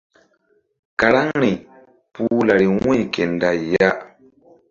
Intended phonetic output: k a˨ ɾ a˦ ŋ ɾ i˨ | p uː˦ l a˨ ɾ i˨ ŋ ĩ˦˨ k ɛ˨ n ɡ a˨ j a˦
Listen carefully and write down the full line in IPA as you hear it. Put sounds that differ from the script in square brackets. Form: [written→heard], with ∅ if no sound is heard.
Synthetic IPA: k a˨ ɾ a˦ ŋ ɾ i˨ | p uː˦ l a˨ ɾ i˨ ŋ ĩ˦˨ k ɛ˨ n [ɡ→d] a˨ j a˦